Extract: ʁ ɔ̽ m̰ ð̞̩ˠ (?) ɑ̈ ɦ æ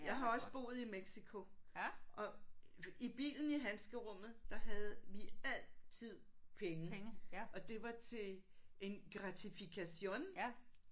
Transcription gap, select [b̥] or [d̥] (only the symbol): d̥